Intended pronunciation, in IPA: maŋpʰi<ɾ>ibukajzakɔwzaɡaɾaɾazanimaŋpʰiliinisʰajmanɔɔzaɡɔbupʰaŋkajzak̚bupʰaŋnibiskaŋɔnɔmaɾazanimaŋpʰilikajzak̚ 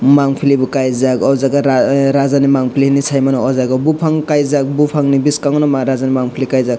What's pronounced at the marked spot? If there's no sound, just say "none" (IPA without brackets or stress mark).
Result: l